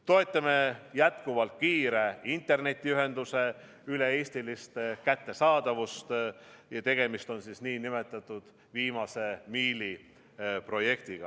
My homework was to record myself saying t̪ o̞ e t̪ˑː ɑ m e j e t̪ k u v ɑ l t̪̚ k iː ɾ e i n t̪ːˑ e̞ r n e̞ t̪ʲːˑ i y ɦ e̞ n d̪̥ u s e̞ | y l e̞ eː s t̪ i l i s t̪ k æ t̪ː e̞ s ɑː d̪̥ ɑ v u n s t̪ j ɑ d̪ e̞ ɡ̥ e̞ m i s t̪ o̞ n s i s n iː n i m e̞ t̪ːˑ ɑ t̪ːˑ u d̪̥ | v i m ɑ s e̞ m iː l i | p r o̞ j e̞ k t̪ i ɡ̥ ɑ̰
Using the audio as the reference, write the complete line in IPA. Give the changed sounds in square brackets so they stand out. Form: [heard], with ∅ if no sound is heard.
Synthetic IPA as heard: t̪ o̞ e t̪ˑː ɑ m e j [æ] t̪ k u v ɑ l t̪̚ k iː ɾ e i n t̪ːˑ e̞ r n e̞ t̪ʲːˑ i y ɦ e̞ n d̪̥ u s e̞ | y l e̞ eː s t̪ i l i s t̪ k æ t̪ː e̞ s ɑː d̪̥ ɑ v u [∅] s t̪ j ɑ [t̪] e̞ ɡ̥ e̞ m i s t̪ o̞ n s i s n iː n i m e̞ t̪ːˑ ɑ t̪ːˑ u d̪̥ | v [iː] m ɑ s e̞ m iː l i | p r o̞ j e̞ k t̪ i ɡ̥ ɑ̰